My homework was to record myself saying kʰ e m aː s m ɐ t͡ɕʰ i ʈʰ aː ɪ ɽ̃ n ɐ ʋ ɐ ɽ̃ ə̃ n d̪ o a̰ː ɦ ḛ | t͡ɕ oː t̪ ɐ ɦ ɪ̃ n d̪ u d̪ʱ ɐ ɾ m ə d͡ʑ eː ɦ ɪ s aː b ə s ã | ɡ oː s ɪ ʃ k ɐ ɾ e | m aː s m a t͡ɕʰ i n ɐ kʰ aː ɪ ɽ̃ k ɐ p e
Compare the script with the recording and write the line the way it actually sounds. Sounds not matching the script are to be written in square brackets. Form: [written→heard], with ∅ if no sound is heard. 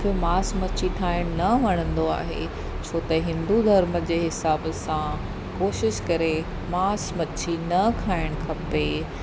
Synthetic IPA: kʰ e m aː s m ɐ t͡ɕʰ i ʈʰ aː ɪ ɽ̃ n ɐ ʋ ɐ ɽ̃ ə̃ n d̪ o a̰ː ɦ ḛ | [t͡ɕ→t͡ɕʰ] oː t̪ ɐ ɦ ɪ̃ n d̪ u d̪ʱ ɐ ɾ m ə d͡ʑ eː ɦ ɪ s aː b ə s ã | [ɡ→k] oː [s→ʃ] ɪ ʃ k ɐ ɾ e | m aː s m [a→ɐ] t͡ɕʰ i n ɐ kʰ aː ɪ ɽ̃ [k→kʰ] ɐ p e